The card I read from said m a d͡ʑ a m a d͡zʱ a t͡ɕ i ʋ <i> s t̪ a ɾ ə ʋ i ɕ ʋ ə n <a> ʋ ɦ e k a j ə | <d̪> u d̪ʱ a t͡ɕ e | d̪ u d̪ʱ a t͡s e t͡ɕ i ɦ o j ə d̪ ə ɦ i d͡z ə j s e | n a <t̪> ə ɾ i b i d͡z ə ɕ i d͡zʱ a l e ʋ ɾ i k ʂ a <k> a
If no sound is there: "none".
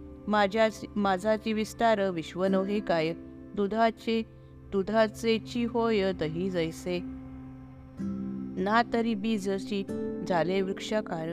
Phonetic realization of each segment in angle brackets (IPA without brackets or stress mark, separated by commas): i, ə, d̪, t̪, k